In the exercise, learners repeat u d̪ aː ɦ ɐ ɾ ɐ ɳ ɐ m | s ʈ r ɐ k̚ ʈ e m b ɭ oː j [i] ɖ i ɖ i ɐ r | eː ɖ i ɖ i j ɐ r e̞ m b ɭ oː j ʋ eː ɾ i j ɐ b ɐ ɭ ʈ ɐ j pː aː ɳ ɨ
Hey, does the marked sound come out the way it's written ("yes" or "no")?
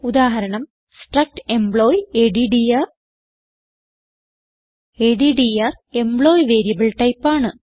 no